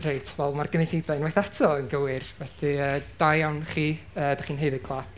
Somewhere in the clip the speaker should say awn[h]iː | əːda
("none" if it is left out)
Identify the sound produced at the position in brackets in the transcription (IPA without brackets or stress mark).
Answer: χ